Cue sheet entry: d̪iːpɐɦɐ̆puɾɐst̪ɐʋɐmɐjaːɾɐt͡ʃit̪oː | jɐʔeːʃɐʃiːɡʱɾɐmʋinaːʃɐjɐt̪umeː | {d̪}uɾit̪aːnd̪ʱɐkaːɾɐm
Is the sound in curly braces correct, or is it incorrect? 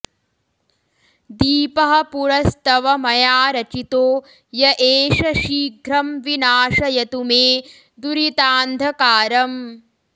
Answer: correct